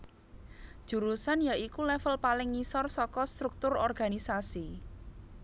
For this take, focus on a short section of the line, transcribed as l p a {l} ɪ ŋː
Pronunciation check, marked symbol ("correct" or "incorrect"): correct